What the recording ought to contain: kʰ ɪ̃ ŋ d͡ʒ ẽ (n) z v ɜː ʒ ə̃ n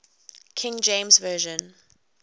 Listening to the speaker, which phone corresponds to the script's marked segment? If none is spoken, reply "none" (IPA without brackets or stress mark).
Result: m